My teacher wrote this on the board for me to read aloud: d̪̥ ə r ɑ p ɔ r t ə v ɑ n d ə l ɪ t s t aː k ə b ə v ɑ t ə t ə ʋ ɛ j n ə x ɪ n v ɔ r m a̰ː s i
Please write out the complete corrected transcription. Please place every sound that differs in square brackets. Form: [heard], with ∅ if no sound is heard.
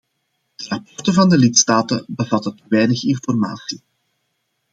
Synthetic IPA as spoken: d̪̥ ə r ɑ p ɔ r t ə v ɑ n d ə l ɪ t s t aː [t] ə b ə v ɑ t ə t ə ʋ ɛ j n ə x ɪ n [f] ɔ r m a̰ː s i